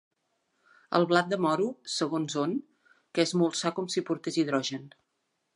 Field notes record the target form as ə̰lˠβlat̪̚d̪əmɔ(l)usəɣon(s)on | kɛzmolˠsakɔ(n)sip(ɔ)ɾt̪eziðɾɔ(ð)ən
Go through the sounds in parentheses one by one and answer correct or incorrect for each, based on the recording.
incorrect, incorrect, incorrect, incorrect, incorrect

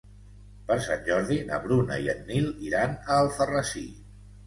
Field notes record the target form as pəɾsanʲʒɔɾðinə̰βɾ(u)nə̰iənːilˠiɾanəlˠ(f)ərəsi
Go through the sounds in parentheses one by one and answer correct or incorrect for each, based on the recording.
correct, correct

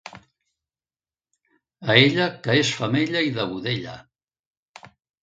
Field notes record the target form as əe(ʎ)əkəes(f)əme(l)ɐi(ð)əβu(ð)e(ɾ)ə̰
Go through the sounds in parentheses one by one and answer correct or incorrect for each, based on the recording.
correct, correct, incorrect, correct, correct, incorrect

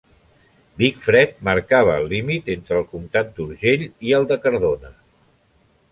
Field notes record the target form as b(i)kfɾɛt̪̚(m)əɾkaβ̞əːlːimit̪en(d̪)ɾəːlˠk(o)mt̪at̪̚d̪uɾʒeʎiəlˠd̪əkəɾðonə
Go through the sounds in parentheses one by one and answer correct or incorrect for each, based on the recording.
correct, correct, incorrect, incorrect

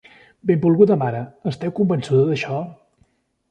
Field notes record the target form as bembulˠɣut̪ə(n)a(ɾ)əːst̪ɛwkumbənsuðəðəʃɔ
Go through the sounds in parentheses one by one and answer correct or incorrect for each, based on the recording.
incorrect, correct

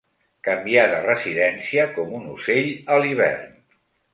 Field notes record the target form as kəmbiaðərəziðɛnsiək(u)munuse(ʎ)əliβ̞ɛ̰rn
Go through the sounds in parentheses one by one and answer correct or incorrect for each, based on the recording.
incorrect, correct

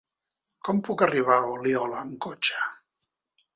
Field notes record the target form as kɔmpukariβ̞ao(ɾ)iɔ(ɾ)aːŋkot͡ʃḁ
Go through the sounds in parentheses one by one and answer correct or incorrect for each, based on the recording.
incorrect, incorrect

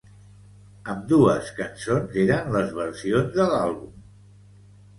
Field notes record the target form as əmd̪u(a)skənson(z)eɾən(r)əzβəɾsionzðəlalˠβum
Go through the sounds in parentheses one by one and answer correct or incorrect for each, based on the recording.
incorrect, correct, incorrect

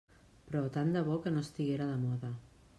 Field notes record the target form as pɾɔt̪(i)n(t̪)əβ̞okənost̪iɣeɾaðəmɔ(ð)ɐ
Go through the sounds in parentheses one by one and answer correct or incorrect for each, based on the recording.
incorrect, incorrect, correct

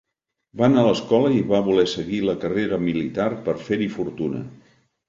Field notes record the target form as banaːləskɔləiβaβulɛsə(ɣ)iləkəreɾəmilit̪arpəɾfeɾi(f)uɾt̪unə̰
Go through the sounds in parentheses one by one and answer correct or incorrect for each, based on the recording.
correct, correct

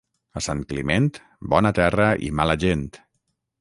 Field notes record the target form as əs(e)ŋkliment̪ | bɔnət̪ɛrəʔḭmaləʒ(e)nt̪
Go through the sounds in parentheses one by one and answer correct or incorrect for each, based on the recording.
incorrect, correct

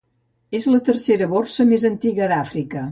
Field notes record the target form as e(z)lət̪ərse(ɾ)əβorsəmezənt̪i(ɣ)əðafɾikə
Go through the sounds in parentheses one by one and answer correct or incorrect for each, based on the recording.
correct, correct, correct

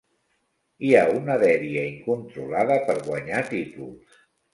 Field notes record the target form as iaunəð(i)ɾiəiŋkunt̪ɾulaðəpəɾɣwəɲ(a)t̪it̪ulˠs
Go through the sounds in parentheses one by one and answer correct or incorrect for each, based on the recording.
incorrect, correct

